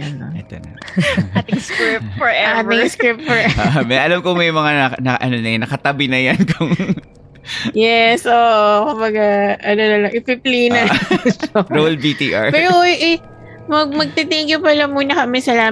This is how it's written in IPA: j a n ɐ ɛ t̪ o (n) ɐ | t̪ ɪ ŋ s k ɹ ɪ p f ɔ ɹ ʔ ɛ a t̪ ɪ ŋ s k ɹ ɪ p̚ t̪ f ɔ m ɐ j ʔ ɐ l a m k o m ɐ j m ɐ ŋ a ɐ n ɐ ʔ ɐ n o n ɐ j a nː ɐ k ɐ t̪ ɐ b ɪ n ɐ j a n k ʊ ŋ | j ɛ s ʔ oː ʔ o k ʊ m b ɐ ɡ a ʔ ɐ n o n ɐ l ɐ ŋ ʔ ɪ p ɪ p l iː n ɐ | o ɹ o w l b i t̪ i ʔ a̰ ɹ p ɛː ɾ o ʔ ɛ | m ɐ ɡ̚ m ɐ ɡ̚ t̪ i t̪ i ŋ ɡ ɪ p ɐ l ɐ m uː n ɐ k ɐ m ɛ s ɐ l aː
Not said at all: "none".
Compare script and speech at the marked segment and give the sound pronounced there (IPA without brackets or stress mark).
n